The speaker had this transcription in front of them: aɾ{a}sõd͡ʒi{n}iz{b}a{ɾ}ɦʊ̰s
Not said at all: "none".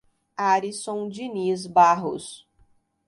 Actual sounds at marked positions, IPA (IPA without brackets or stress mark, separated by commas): i, n, b, none